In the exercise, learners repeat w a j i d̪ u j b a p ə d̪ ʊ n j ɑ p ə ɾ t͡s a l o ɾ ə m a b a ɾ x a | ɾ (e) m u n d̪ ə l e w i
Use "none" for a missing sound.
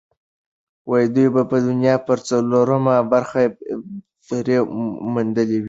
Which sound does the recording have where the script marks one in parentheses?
e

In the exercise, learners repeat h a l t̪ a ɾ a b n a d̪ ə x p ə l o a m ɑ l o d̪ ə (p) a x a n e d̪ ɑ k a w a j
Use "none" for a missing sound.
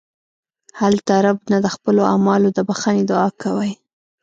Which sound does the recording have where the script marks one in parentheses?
b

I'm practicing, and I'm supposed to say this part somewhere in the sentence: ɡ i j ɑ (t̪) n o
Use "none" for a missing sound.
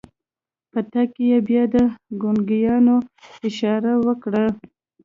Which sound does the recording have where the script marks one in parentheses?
none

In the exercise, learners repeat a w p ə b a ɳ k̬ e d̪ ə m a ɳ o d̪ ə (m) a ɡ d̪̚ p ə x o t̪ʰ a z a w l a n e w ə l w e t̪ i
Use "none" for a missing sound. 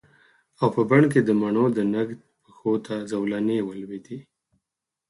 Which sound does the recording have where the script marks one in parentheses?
n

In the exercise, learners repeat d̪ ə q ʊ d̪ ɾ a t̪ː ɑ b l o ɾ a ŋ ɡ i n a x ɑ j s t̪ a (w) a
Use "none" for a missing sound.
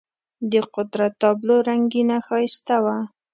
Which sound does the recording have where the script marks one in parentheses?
w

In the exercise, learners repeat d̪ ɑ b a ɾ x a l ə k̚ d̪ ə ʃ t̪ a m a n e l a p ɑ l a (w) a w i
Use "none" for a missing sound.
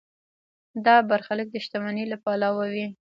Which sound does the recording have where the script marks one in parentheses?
w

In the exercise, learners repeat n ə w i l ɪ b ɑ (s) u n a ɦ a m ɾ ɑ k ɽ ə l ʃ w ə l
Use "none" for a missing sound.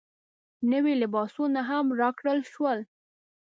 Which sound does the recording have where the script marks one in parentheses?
s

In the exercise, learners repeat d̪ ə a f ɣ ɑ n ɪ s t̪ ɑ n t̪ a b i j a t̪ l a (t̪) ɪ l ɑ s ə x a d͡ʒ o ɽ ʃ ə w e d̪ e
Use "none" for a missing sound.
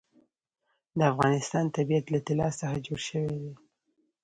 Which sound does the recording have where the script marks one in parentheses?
t̪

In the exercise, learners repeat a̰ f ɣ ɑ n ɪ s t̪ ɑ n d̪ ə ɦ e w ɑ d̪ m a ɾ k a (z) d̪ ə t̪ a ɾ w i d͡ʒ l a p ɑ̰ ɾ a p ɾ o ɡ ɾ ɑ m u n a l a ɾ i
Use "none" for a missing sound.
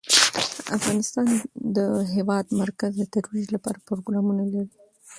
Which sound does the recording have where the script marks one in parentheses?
z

